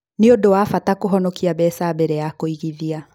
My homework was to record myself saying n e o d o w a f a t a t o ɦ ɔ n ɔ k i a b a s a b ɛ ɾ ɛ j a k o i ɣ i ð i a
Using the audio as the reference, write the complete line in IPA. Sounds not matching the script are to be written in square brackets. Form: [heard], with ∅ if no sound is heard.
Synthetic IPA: n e o d o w a f a t a [k] o ɦ ɔ n ɔ k i a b [ɛ] s a b ɛ ɾ ɛ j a k o i ɣ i ð i a